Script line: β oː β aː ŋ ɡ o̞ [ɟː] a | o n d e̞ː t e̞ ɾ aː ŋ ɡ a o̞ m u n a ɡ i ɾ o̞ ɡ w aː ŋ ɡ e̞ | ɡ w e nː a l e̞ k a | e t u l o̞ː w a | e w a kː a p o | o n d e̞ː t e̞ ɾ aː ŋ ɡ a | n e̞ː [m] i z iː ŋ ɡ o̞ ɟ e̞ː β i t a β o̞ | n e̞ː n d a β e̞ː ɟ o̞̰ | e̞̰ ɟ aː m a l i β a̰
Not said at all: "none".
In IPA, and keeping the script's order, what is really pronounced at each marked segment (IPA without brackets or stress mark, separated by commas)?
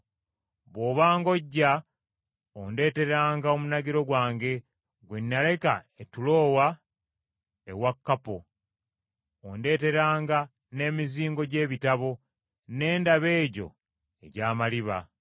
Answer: ɟː, m